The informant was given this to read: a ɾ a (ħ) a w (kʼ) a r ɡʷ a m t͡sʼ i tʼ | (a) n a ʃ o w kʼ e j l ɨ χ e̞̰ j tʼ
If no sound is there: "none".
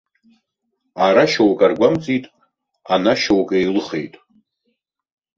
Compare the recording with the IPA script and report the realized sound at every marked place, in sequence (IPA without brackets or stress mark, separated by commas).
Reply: ʃ, kʼ, a